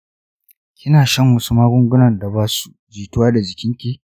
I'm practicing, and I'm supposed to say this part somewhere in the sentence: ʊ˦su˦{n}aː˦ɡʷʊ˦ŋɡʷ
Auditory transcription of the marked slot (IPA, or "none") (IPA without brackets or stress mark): m